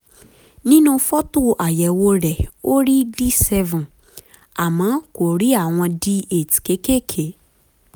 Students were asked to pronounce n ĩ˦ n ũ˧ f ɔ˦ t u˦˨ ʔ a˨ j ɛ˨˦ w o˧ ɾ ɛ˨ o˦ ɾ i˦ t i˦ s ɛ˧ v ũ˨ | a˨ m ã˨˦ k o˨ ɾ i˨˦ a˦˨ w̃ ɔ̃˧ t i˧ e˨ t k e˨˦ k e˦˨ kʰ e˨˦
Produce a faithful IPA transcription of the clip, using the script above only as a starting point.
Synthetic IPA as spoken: n ĩ˦ n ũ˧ f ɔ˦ t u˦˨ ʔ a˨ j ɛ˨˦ w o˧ ɾ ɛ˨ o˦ ɾ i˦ d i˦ s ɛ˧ v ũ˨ | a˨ m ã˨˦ k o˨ ɾ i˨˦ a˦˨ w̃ ɔ̃˧ d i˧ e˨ t k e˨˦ k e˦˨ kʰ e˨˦

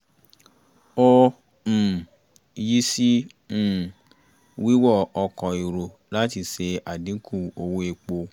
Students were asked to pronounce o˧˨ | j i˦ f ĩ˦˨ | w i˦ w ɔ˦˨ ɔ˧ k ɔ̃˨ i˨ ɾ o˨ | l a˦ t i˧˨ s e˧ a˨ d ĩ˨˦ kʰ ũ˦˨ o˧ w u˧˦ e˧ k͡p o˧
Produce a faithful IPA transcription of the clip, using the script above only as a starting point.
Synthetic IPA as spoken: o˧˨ | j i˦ s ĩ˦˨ | w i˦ w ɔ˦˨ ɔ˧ k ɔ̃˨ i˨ ɾ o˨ | l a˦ t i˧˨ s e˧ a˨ d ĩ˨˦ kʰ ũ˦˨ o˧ w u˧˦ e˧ k͡p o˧

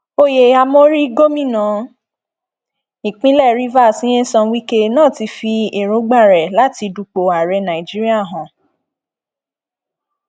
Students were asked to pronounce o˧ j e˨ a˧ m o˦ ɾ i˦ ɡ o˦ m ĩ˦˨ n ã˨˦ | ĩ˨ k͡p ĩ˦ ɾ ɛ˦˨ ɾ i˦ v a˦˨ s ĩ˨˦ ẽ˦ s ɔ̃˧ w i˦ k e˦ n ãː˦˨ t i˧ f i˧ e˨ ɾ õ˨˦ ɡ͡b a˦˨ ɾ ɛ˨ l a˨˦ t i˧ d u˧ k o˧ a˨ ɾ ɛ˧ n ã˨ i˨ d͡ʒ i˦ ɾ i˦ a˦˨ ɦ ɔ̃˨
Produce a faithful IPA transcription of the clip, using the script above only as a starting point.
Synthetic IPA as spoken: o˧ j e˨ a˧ m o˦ ɾ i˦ ɡ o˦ m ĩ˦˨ n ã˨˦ | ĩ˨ k͡p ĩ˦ l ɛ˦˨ ɾ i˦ v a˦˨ s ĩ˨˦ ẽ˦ s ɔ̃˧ w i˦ k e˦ n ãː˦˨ t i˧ f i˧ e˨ ɾ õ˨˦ ɡ͡b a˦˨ ɾ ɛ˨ l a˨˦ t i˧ d u˧ k͡p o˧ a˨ ɾ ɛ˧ n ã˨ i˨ d͡ʒ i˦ ɾ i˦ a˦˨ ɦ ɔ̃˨

